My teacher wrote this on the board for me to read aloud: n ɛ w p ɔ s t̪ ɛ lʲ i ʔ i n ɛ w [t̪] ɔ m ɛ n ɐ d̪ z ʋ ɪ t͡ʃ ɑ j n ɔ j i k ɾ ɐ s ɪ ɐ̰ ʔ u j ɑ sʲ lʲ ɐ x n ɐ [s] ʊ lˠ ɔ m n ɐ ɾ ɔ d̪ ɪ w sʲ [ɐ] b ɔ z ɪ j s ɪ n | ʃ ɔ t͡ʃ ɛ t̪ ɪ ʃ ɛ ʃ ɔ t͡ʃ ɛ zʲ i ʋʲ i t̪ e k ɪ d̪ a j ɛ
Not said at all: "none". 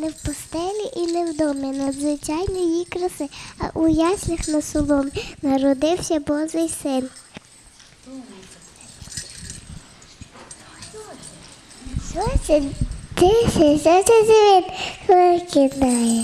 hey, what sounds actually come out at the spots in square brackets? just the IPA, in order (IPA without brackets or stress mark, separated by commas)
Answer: d̪, s, ɐ